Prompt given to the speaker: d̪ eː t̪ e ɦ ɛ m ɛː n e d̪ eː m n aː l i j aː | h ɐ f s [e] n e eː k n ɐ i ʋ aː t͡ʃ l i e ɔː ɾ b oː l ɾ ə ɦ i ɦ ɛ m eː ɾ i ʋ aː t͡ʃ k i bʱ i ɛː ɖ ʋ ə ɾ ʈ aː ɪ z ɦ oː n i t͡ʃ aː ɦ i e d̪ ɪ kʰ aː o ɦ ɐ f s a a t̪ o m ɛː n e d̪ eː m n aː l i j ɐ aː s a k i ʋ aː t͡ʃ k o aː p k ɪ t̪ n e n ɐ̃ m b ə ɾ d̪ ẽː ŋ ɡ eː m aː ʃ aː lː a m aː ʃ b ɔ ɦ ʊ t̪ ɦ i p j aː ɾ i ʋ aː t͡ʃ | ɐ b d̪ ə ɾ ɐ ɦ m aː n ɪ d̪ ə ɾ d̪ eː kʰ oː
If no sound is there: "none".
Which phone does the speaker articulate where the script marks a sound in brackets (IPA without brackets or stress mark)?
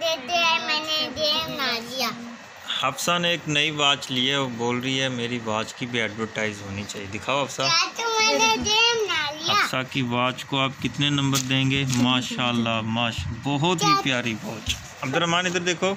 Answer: a